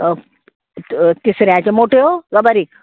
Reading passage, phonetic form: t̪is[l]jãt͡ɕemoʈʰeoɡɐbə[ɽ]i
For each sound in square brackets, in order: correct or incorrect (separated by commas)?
incorrect, incorrect